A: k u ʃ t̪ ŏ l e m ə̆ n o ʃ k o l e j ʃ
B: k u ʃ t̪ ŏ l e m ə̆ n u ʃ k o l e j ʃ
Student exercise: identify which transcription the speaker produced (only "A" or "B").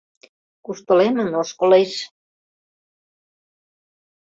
A